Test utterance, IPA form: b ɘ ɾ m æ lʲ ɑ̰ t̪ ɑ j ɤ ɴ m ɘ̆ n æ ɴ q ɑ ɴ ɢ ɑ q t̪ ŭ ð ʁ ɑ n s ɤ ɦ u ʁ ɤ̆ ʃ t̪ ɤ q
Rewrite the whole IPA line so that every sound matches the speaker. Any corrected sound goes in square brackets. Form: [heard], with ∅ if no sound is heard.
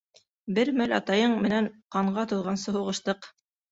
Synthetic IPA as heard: b ɘ ɾ m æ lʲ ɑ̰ t̪ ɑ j ɤ ɴ m ɘ̆ n æ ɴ q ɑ ɴ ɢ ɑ [∅] t̪ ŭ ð ʁ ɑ n s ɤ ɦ u ʁ ɤ̆ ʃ t̪ ɤ q